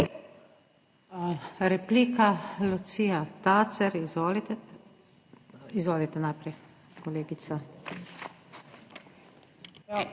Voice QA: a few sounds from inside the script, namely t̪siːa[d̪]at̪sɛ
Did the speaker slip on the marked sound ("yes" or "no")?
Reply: yes